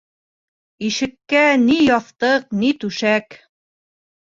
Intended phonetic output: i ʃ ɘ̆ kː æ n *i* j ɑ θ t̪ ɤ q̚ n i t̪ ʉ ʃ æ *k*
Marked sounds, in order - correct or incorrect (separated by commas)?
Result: correct, correct